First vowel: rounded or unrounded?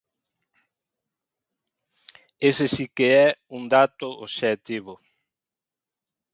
unrounded